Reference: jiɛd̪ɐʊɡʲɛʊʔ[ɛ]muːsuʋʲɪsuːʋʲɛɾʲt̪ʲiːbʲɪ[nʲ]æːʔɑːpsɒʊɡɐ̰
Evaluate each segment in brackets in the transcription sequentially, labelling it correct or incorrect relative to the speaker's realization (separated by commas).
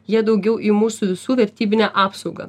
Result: incorrect, correct